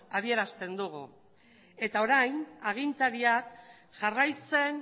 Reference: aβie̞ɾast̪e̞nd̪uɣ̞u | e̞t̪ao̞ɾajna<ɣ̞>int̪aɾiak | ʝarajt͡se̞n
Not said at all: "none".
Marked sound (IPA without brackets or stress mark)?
ɣ̞